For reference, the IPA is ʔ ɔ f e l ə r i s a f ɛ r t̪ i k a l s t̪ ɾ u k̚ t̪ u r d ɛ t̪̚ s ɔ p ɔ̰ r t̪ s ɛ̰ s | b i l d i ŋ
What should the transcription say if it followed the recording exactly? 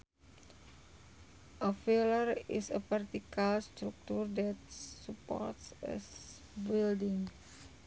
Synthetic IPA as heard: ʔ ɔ f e l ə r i s ə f ɛ r t̪ i k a l s t̪ ɾ u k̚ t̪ u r d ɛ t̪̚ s u p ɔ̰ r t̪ s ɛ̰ s | b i l d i ŋ